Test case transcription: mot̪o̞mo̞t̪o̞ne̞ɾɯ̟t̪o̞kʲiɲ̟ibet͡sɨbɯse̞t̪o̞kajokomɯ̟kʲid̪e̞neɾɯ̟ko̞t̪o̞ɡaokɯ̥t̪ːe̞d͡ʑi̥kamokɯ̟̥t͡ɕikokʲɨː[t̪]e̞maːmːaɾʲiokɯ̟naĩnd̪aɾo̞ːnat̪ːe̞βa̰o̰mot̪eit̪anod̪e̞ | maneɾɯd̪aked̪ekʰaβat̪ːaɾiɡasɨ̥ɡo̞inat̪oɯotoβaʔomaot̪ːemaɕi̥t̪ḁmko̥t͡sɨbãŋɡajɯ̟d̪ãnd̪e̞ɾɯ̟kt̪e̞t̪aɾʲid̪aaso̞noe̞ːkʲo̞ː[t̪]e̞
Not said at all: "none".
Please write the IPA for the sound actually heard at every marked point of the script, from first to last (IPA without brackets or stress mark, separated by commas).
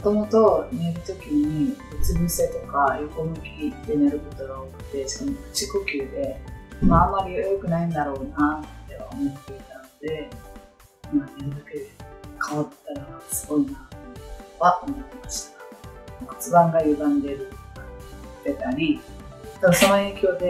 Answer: d̪, d̪